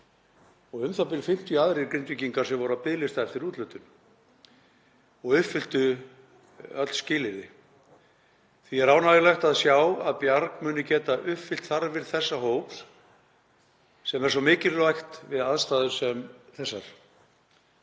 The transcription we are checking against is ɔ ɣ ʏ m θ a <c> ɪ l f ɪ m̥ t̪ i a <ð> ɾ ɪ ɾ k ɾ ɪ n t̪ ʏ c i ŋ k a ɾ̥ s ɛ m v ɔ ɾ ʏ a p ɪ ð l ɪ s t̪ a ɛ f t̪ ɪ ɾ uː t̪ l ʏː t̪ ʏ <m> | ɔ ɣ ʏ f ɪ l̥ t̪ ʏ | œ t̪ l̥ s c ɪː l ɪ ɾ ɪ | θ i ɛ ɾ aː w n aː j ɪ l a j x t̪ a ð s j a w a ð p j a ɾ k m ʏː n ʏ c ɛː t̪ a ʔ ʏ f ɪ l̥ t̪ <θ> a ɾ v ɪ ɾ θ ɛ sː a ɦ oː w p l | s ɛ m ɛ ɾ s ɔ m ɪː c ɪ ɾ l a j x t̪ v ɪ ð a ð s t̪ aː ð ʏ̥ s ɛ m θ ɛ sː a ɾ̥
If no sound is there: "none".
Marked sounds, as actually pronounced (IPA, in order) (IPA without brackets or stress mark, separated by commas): p, ð, n, θ